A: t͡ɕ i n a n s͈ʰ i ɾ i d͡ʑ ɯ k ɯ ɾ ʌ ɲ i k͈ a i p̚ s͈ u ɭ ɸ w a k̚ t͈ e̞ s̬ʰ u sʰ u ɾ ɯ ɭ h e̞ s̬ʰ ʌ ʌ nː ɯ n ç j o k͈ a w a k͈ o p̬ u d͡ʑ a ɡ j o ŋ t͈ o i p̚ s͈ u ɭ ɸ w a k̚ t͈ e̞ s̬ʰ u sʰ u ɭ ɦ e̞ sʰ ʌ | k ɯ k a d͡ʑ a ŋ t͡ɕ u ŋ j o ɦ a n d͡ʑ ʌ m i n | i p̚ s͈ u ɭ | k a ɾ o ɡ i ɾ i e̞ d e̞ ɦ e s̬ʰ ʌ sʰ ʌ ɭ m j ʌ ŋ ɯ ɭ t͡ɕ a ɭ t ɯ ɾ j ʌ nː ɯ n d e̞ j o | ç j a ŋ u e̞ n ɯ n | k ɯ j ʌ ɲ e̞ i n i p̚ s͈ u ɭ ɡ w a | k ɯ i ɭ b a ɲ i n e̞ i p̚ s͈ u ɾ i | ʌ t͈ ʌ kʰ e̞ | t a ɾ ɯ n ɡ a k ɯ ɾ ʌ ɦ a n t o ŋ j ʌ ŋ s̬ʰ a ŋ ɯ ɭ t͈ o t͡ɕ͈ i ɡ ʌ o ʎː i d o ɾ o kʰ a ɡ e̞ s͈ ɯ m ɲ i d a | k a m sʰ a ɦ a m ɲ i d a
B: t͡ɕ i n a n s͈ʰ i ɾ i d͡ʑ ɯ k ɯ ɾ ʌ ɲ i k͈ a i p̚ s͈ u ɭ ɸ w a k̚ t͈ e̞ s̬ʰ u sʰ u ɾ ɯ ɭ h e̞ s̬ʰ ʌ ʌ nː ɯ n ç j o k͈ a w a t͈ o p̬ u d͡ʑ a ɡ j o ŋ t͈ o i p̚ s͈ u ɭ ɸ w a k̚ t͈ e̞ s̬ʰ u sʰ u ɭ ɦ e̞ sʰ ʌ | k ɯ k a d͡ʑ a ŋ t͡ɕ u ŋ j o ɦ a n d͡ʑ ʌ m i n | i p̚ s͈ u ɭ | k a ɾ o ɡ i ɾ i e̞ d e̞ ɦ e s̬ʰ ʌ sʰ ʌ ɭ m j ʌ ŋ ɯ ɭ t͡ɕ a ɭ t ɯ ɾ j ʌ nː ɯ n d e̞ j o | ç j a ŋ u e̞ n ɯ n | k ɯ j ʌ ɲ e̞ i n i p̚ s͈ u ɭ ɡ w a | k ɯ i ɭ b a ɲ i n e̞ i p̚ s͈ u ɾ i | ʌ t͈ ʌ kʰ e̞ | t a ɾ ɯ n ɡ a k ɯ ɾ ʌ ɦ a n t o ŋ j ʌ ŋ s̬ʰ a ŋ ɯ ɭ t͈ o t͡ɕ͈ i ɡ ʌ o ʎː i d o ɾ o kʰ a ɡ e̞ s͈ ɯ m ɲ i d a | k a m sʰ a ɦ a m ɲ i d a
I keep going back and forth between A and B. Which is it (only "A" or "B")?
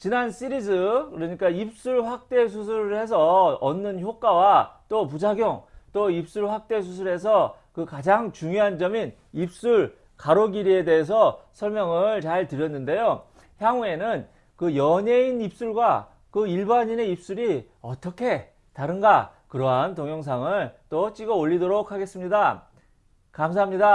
B